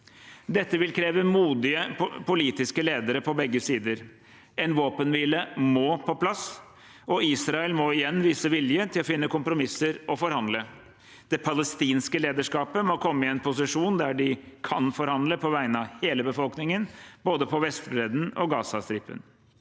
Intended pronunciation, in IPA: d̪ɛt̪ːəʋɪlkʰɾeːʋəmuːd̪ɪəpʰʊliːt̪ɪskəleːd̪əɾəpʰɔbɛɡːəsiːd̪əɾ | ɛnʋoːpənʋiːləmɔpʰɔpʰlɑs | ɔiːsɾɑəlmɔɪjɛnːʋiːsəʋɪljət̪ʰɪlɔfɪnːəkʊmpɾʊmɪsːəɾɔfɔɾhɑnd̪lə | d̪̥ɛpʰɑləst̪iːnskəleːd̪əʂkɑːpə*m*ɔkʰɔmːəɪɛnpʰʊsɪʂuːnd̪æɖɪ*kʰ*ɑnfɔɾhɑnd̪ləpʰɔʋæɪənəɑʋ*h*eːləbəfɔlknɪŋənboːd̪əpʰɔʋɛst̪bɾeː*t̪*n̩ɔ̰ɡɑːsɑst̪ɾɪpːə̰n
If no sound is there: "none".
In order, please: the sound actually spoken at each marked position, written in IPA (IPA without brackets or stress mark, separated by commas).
m, kʰ, h, d̪